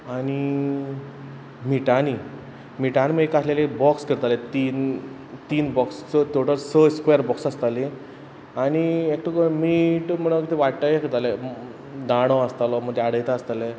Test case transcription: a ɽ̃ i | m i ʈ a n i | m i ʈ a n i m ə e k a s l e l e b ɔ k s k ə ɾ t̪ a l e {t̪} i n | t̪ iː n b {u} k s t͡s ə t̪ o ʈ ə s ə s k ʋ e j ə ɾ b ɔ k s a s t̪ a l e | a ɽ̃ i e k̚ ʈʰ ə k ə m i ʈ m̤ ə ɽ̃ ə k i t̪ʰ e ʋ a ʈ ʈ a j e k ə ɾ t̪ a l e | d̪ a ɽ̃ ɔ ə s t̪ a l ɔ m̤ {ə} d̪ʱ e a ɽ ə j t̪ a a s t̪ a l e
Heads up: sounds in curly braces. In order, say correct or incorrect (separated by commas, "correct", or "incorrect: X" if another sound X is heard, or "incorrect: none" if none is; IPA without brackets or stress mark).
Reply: correct, incorrect: ɔ, correct